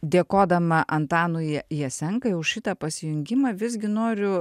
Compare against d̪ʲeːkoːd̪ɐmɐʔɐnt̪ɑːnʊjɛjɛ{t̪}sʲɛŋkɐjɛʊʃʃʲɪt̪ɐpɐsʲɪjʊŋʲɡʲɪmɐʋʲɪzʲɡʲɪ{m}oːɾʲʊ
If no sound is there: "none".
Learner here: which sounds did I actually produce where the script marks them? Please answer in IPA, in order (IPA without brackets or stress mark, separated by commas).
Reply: none, n